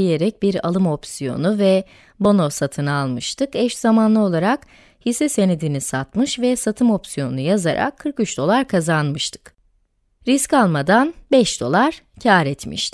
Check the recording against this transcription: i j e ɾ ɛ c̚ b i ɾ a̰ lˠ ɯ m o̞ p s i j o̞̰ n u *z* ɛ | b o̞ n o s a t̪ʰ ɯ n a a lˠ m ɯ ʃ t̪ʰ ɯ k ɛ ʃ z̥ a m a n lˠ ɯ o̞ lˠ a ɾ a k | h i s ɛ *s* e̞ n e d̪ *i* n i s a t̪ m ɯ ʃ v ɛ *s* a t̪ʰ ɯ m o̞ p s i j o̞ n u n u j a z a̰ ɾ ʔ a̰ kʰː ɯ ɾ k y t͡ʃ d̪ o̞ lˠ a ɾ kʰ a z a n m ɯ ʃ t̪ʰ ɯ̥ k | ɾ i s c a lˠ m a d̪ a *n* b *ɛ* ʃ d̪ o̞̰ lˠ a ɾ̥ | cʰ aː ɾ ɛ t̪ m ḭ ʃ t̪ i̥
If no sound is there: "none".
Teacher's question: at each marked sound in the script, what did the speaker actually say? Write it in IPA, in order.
v, s, i, s, n, ɛ

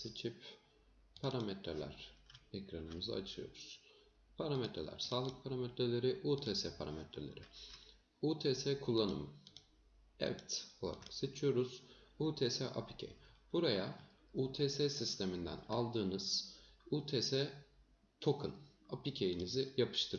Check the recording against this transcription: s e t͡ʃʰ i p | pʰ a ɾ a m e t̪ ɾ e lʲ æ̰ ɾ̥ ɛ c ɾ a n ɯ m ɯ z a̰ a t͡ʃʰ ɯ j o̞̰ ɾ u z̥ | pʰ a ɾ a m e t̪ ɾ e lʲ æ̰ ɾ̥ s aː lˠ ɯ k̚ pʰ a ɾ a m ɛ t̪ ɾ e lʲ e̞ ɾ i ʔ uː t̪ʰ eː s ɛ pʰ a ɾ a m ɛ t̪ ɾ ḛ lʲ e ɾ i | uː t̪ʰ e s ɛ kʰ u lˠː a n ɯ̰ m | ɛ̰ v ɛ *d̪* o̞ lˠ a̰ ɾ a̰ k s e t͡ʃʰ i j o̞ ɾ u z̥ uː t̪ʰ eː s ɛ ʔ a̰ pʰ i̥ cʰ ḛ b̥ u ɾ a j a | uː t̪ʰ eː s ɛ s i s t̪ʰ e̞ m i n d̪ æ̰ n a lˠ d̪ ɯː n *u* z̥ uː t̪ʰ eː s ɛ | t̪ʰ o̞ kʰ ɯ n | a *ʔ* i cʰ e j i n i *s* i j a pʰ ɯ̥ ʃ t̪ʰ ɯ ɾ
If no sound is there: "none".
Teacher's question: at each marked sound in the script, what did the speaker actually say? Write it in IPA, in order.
t̪, ɯ, p, z

